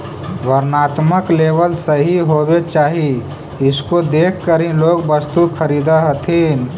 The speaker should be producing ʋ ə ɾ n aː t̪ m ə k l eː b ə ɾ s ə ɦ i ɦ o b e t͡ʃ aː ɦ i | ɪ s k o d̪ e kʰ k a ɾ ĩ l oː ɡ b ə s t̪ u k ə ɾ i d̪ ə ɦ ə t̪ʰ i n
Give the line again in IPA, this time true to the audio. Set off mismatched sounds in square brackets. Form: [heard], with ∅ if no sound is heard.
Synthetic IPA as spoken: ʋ ə ɾ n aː t̪ m ə k l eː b ə [l] s ə ɦ i ɦ o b e t͡ʃ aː ɦ i | ɪ s k o d̪ e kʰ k [ə] ɾ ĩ l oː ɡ b ə s t̪ u [kʰ] ə ɾ i d̪ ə ɦ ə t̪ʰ i n